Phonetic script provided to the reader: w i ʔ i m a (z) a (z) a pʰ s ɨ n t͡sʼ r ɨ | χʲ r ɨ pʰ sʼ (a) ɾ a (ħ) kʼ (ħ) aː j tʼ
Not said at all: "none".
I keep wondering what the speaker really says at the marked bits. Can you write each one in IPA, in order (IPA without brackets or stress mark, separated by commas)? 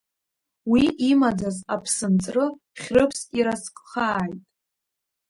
d͡z, z, i, s, χ